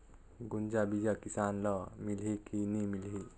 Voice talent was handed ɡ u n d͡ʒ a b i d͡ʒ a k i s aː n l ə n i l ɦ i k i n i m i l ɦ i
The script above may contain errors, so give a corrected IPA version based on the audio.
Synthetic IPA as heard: ɡ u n d͡ʒ a b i d͡ʒ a k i s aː n l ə m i l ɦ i k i n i m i l ɦ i